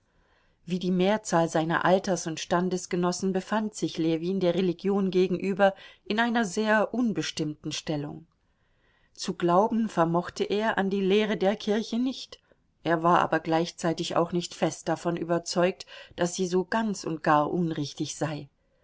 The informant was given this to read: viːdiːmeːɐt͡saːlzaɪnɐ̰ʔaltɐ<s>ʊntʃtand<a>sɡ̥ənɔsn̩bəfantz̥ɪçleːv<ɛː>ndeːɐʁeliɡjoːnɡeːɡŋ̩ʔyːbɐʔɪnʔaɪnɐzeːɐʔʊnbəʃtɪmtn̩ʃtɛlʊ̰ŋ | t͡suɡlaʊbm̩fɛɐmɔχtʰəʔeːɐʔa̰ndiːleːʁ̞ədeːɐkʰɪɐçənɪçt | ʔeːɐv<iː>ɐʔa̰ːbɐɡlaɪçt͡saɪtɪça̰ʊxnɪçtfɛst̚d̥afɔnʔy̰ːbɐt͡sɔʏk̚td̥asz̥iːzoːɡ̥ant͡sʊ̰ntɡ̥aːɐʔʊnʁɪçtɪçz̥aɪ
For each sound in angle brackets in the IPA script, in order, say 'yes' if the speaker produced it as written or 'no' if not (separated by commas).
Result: yes, no, no, no